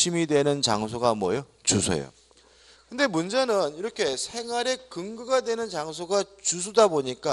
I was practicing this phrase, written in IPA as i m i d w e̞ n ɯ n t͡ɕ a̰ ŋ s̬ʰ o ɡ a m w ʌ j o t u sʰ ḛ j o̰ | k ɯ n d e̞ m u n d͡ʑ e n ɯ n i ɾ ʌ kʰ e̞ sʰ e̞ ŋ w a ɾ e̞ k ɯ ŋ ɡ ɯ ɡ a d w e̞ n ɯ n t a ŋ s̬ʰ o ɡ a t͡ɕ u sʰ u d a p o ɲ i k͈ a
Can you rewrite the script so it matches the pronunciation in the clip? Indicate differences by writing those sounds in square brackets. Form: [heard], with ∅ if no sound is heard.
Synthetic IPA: i m i d w e̞ n ɯ n t͡ɕ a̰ ŋ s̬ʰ o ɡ a m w ʌ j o [t͡ɕ] u sʰ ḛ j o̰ | k ɯ n d e̞ m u n d͡ʑ e n ɯ n i ɾ ʌ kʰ e̞ sʰ e̞ ŋ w a ɾ e̞ k ɯ ŋ ɡ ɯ ɡ a d w e̞ n ɯ n [t͡ɕ] a ŋ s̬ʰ o ɡ a t͡ɕ u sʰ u d a [b] o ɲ i k͈ a